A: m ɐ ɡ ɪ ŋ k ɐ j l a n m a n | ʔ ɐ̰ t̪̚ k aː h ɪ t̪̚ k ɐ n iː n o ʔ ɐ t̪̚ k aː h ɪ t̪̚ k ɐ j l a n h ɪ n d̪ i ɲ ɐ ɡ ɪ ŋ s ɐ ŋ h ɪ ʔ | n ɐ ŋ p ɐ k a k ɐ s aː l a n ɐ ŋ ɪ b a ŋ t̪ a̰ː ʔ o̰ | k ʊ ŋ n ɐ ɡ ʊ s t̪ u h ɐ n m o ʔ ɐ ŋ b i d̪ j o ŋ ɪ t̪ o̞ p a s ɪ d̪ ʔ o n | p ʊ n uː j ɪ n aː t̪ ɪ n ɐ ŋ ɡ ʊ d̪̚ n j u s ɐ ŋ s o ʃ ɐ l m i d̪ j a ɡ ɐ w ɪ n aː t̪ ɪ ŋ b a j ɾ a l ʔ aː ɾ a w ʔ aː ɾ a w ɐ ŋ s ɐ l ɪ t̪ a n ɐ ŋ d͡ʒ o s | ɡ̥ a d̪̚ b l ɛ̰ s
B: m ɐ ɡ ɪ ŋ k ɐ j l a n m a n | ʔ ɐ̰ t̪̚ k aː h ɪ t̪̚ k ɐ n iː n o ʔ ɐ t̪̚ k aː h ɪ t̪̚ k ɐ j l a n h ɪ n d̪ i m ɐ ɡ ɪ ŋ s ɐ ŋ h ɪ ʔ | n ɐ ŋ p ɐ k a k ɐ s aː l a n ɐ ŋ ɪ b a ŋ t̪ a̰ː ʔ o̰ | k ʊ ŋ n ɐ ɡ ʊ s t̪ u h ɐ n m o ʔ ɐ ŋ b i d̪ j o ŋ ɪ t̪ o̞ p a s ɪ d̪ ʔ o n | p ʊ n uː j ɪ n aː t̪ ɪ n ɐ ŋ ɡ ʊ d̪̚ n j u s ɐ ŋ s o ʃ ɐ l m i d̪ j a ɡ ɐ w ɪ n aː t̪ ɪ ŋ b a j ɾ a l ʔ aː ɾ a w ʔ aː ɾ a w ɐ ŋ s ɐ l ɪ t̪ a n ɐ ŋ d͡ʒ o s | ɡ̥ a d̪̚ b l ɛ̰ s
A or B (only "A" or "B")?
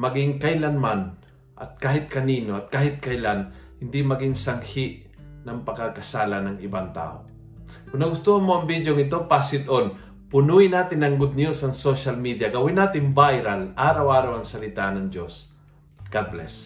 B